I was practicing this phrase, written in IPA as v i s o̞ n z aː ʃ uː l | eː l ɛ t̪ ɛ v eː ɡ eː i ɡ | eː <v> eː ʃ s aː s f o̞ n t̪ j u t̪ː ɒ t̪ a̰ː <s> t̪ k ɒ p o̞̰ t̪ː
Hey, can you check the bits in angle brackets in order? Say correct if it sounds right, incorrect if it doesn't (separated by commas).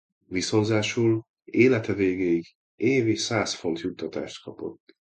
correct, incorrect